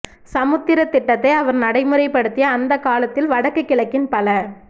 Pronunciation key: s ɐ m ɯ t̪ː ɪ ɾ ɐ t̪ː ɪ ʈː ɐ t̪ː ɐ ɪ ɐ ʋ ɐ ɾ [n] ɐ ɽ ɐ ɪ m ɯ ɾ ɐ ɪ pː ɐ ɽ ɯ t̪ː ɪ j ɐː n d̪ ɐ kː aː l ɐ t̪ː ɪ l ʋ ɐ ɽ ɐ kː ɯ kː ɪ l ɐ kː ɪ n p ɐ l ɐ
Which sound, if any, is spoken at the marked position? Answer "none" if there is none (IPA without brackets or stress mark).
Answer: n